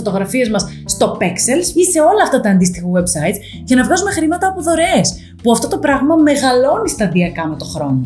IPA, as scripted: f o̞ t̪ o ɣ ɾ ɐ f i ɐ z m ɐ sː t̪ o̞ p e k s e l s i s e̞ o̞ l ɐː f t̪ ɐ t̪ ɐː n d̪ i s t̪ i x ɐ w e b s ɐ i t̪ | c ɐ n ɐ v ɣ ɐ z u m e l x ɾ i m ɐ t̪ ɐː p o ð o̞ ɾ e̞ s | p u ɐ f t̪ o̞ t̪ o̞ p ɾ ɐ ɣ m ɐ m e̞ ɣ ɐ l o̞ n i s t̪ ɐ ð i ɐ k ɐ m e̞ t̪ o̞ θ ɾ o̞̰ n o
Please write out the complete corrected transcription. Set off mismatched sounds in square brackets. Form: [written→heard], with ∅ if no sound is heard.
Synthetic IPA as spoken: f o̞ t̪ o ɣ ɾ ɐ f i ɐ z m ɐ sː t̪ o̞ p e k s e l s i s e̞ o̞ l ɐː f t̪ ɐ t̪ ɐː n d̪ i s t̪ i x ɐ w e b s ɐ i t̪ | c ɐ n ɐ v ɣ ɐ z u m e [l→∅] x ɾ i m ɐ t̪ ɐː p o ð o̞ ɾ e̞ s | p u ɐ f t̪ o̞ t̪ o̞ p ɾ ɐ ɣ m ɐ m e̞ ɣ ɐ l o̞ n i s t̪ ɐ ð i ɐ k ɐ m e̞ t̪ o̞ [θ→x] ɾ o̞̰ n o